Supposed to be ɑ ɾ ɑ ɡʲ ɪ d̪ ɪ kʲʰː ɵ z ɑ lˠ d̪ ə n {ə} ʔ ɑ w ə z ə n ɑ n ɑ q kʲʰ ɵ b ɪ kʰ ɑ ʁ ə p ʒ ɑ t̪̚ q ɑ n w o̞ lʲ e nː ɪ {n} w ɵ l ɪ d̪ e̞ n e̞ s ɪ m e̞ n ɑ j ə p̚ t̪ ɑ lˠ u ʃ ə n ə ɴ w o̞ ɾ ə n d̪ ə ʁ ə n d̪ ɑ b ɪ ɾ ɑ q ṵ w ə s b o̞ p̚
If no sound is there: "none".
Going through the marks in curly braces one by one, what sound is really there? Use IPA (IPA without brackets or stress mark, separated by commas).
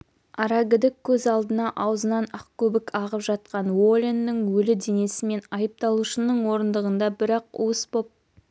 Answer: ɑ, ŋ